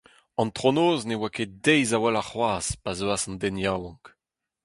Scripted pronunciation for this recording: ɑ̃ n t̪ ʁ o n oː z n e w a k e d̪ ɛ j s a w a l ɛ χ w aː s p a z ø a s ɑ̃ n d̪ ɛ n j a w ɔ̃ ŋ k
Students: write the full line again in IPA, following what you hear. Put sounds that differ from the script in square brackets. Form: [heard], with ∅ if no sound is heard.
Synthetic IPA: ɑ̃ n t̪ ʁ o n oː z n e w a k e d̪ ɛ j [z] a w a l [a] χ w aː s p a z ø a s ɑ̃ n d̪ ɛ n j a w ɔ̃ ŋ k